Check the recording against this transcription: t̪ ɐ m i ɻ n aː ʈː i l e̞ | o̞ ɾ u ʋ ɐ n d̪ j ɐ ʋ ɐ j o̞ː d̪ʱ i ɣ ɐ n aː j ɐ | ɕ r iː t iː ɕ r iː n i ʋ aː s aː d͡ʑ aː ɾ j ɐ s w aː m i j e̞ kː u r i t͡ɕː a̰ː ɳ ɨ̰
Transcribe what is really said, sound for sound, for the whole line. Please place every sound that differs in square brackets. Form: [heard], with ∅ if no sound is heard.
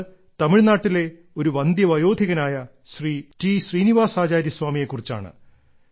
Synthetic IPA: t̪ ɐ m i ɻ n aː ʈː i l e̞ | o̞ ɾ u ʋ ɐ n d̪ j ɐ ʋ ɐ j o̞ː d̪ʱ i ɣ ɐ n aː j ɐ | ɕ r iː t iː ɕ r iː n i ʋ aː s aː d͡ʑ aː ɾ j ɐ s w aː m i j e̞ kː u r i t͡ɕː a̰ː ɳ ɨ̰